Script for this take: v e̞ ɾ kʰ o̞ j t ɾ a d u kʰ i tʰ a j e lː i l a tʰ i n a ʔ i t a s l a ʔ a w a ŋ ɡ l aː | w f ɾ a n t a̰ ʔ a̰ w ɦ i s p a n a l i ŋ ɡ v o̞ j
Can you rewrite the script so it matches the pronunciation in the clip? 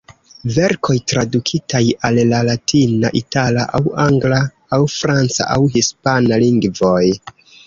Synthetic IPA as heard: v e̞ ɾ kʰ o̞ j t ɾ a d u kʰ i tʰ a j a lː a l a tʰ i n a ʔ i t a l a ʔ a w a ŋ ɡ l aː | w f ɾ a n t͡s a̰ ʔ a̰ w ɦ i s p a n a l i ŋ ɡ v o̞ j